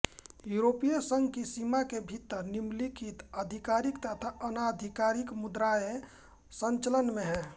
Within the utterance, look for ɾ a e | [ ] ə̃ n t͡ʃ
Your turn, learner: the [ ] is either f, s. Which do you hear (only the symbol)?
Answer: s